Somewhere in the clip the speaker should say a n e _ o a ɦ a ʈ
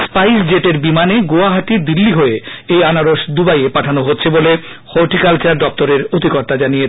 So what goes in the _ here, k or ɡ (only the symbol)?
ɡ